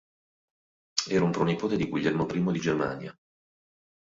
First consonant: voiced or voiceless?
voiced